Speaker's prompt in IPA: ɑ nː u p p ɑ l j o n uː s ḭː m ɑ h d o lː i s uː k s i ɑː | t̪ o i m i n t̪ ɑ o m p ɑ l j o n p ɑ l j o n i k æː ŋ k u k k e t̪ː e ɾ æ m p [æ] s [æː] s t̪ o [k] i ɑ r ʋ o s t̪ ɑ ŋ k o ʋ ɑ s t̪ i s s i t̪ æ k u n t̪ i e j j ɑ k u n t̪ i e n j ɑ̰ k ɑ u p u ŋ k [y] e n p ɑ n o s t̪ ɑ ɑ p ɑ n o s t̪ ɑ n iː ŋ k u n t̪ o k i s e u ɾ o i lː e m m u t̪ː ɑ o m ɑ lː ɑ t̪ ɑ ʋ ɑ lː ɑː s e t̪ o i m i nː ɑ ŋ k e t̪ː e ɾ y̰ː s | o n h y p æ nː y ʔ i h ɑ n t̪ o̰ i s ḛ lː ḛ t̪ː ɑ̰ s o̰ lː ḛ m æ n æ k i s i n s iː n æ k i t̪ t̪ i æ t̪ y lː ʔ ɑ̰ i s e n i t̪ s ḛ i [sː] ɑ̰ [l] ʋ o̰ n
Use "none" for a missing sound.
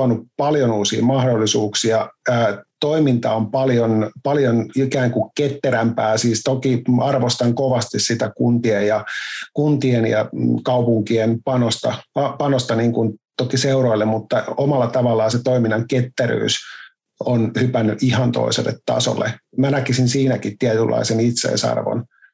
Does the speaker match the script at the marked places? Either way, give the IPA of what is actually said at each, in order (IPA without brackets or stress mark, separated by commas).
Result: æː, iː, k, i, s, r